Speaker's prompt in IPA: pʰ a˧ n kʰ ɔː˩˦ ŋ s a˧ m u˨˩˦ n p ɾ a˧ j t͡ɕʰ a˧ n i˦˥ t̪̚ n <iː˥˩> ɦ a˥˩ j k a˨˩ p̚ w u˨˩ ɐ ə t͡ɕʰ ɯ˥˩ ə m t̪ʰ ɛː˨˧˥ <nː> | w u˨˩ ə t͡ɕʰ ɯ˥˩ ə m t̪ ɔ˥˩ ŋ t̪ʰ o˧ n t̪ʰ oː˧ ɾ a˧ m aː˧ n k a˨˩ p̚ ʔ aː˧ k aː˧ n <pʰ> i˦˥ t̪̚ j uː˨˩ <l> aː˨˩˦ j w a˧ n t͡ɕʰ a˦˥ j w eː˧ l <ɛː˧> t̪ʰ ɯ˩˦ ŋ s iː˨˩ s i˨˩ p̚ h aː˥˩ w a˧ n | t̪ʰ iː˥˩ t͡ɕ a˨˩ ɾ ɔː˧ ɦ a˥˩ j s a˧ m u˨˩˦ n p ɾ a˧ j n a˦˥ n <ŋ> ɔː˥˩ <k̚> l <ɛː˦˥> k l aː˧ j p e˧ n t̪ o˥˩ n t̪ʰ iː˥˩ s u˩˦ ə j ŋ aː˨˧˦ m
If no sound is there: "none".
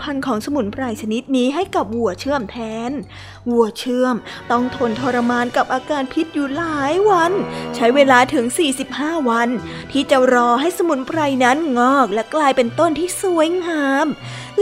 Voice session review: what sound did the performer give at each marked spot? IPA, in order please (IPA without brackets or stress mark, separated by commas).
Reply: iː˦˥, n, pʰ, l, aː˧, ŋ, k̚, ɛ˦˥